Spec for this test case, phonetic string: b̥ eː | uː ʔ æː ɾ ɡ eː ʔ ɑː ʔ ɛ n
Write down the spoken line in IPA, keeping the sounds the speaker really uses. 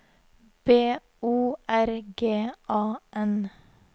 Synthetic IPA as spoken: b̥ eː | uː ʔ æ ɾ ɡ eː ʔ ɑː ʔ ɛ n